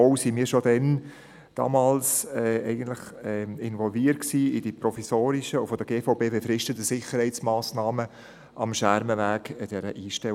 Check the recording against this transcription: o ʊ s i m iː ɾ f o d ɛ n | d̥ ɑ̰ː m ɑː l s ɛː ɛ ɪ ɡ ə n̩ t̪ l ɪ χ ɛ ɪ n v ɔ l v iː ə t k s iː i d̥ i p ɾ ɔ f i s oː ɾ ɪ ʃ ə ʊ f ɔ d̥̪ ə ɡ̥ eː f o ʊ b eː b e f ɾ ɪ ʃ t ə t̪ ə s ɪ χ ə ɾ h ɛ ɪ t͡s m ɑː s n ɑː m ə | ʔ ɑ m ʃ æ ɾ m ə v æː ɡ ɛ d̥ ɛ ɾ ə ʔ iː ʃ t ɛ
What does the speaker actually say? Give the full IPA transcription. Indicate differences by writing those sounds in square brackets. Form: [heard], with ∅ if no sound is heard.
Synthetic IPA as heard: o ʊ s i m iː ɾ [ʃ] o d ɛ n | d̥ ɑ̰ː m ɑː l s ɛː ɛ ɪ ɡ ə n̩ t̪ l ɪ χ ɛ ɪ n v ɔ l v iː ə t k s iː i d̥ i p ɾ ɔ f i s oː ɾ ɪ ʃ ə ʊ f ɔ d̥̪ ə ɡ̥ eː f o ʊ b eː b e f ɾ ɪ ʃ t ə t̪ ə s ɪ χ ə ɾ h ɛ ɪ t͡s m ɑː s n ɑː m ə | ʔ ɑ m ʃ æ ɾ m ə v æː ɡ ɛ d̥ ɛ ɾ ə ʔ iː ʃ t ɛ

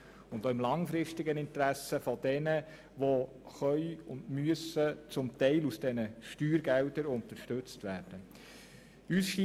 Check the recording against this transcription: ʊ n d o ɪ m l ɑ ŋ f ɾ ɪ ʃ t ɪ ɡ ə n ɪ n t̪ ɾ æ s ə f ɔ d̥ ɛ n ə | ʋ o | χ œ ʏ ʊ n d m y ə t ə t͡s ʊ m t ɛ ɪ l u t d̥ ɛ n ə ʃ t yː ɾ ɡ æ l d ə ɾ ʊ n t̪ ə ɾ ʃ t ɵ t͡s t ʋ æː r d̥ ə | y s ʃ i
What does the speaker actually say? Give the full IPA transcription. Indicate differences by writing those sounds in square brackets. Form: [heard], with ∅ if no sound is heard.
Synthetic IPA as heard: ʊ n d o ɪ m l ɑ ŋ f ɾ ɪ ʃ t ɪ ɡ ə n ɪ n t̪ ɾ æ s ə f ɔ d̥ ɛ n ə | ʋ o | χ œ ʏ ʊ n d m y ə [s] ə t͡s ʊ m t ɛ ɪ l u [s] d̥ ɛ n ə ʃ t yː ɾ ɡ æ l d ə ɾ ʊ n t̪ ə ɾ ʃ t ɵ t͡s t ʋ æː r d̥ ə | y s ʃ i

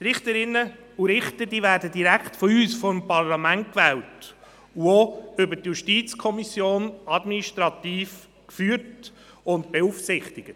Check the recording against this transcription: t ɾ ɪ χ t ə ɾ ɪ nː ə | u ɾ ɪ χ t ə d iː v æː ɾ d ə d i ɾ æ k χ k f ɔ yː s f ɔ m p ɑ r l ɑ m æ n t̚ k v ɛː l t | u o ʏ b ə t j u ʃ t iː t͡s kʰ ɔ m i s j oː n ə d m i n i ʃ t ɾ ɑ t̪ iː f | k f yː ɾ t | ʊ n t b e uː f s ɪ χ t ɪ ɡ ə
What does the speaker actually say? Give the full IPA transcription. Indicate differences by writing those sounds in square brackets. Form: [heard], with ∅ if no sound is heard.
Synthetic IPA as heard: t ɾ ɪ χ t ə ɾ ɪ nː ə | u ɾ ɪ χ t ə d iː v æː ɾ d ə d i ɾ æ k χ [t] f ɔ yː s f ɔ m p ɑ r l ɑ m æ n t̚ k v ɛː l t | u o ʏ b ə t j u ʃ t iː t͡s kʰ ɔ m i s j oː n [ɑ] d m i n i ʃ t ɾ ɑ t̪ iː f | k f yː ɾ t | ʊ n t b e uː f s ɪ χ t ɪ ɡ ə

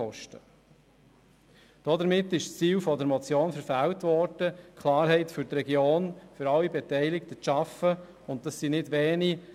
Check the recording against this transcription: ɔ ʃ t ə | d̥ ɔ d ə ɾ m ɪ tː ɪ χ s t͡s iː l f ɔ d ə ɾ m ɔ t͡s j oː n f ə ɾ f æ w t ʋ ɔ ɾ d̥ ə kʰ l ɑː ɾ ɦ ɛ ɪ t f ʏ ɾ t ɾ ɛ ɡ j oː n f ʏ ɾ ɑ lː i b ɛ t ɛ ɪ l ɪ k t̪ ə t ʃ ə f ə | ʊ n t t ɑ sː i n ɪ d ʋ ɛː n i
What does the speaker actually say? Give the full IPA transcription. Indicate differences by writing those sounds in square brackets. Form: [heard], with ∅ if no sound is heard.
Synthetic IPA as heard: ɔ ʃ t ə | d̥ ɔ d ə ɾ m ɪ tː ɪ [ʃ] s t͡s iː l f ɔ d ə ɾ m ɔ t͡s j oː n f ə ɾ f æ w t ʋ ɔ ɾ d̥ ə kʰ l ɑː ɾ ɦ ɛ ɪ t f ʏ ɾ t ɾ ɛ ɡ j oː n f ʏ ɾ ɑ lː i b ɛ t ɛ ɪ l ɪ k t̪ ə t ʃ [ɑ] f ə | ʊ n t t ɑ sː i n ɪ d ʋ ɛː n i

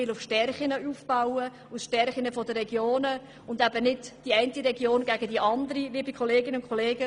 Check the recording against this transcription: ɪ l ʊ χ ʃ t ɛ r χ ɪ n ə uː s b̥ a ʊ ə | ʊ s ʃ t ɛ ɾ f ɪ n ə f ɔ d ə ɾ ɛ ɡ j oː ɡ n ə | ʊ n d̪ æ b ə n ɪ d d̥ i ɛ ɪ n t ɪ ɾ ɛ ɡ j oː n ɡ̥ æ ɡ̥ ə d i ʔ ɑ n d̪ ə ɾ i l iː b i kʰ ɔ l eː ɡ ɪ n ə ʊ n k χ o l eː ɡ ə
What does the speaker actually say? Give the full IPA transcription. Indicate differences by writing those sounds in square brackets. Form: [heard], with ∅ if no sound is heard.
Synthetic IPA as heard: ɪ l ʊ [f] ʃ t ɛ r χ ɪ n ə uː [f] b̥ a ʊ ə | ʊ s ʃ t ɛ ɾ [χ] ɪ n ə f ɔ d ə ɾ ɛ ɡ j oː [∅] n ə | ʊ n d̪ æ b ə n ɪ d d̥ i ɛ ɪ n t [i] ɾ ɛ ɡ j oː n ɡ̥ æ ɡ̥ ə d i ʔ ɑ n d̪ ə ɾ i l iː b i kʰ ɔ l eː ɡ ɪ n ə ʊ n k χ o l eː ɡ ə

